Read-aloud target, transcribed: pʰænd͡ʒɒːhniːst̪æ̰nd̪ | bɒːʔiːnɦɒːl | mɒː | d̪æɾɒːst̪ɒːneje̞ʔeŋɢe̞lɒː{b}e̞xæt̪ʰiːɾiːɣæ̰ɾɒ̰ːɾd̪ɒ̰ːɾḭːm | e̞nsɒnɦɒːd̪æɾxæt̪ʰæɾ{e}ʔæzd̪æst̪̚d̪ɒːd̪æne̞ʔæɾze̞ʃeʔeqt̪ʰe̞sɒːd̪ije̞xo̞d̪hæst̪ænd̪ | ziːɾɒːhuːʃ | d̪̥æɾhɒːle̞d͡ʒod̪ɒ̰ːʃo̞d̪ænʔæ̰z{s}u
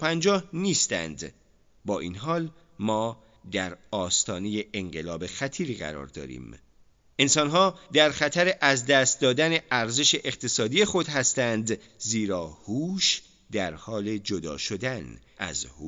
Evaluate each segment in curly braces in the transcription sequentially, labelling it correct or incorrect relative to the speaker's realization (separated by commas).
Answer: correct, correct, incorrect